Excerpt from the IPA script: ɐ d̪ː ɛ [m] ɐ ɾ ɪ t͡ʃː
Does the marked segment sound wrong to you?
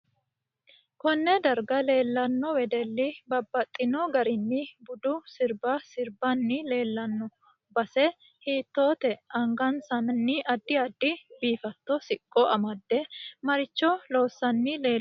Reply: no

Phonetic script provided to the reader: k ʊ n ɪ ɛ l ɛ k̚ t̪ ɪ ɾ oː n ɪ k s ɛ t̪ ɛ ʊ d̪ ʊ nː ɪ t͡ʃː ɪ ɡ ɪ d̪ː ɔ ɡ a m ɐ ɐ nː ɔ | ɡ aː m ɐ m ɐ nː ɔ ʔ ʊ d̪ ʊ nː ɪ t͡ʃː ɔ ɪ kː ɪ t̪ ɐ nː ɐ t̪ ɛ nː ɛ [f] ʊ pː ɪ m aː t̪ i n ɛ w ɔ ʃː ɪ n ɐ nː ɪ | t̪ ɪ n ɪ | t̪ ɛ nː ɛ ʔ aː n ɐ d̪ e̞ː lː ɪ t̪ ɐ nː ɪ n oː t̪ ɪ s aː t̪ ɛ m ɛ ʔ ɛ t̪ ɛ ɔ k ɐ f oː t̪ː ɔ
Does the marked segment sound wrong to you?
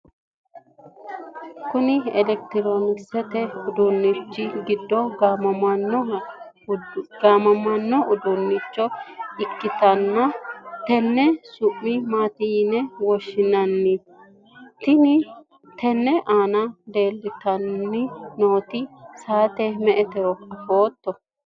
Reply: yes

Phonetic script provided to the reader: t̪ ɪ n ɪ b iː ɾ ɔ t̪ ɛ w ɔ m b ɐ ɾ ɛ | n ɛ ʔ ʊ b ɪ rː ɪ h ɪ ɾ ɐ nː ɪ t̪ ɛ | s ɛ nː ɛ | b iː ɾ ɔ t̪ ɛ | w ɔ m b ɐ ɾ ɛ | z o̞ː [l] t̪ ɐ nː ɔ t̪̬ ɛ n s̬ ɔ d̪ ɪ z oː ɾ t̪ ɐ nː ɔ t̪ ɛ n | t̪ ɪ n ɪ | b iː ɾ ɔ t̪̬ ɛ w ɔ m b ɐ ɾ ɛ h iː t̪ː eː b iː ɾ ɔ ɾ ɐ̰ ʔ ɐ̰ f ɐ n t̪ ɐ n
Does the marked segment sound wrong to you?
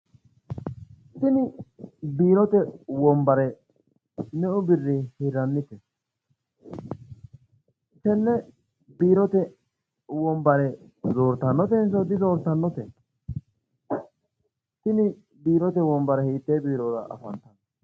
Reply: yes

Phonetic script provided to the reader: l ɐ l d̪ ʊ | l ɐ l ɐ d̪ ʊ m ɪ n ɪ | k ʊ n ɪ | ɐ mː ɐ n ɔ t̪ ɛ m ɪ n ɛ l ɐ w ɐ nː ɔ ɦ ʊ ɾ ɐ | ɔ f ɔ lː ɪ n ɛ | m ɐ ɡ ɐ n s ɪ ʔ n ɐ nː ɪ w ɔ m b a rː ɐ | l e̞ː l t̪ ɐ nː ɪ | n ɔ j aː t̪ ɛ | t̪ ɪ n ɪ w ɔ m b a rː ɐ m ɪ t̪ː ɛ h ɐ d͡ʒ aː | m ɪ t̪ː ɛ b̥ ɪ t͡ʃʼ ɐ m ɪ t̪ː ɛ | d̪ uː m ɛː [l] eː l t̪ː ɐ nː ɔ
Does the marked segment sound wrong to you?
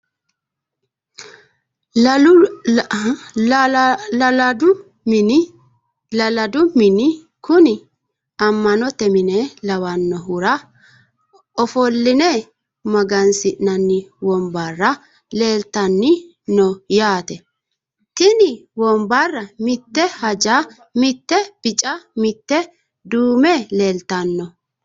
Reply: no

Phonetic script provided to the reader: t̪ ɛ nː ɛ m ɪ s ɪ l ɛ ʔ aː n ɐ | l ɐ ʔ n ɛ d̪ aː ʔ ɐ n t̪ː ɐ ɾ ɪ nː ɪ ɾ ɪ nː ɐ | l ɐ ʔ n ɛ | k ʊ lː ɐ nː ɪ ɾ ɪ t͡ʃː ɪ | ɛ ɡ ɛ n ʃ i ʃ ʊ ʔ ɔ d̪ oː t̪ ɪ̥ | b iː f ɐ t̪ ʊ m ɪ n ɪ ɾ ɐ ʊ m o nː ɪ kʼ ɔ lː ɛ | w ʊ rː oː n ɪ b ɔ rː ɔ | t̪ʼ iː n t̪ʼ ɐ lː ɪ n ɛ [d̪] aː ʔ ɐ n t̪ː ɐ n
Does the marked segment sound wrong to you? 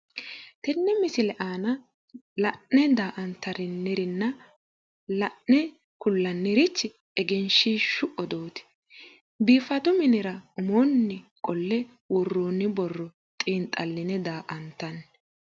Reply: no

